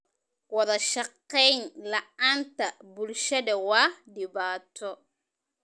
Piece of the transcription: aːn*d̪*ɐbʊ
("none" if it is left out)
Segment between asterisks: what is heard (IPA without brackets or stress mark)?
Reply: t̪